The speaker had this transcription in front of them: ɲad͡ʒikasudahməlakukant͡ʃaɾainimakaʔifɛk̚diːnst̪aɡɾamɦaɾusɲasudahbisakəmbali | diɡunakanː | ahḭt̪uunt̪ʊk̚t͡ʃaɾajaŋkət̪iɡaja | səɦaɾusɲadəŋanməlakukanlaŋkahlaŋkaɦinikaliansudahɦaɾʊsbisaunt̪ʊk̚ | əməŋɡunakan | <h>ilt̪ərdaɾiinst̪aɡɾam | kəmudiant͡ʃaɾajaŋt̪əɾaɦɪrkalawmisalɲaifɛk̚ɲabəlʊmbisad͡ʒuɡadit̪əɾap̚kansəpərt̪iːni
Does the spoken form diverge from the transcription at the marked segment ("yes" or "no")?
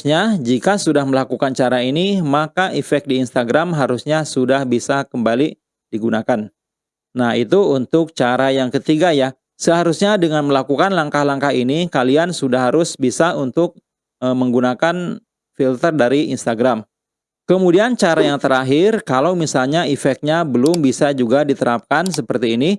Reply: yes